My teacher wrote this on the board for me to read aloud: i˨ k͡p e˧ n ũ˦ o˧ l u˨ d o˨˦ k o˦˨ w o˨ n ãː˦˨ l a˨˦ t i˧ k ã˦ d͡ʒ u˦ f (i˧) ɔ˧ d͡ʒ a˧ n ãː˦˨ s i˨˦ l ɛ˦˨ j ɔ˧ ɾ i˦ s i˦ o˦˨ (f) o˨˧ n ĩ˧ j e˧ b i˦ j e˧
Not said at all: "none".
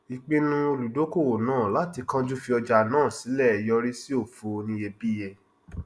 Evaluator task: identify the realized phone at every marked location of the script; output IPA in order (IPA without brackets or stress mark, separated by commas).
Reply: i˧, f